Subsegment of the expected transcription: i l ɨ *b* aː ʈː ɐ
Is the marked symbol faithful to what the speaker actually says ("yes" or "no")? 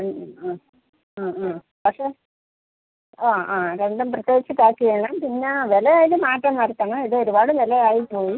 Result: no